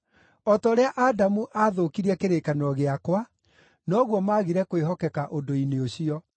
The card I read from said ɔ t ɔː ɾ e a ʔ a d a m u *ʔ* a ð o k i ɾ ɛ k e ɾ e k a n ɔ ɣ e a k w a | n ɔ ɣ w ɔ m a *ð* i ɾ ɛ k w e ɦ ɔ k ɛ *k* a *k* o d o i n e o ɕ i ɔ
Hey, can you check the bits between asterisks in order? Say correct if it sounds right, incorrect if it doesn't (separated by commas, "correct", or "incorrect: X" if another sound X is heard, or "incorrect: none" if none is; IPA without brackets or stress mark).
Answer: correct, incorrect: ɣ, correct, incorrect: ʔ